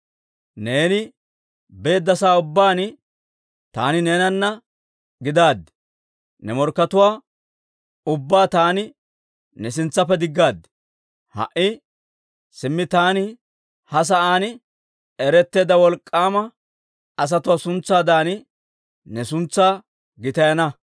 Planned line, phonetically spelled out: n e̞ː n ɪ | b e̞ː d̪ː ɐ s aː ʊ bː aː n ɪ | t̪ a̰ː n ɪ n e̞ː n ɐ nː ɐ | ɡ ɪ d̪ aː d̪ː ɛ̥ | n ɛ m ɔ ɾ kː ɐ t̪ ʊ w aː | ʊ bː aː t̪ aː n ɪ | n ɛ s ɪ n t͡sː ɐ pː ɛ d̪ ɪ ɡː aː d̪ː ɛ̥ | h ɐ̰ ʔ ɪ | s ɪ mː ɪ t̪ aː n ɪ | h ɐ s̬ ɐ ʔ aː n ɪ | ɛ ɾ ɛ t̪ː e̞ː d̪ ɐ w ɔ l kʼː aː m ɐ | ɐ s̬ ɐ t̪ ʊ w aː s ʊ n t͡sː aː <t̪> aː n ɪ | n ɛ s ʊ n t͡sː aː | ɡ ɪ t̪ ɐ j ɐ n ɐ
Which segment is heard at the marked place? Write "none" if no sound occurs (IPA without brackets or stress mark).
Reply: d̪